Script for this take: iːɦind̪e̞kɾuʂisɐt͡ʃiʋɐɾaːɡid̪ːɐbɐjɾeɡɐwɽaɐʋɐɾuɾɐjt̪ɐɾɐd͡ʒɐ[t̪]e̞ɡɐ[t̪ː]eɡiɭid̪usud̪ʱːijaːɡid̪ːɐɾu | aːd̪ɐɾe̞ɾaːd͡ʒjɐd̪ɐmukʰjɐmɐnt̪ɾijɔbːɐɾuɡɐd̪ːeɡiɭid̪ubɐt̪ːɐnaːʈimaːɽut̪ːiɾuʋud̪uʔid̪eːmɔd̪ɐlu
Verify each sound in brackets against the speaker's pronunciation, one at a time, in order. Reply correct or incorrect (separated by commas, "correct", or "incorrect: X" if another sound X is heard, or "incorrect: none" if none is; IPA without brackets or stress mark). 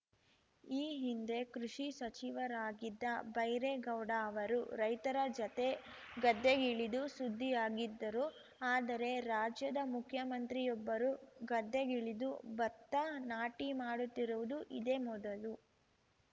correct, incorrect: d̪ː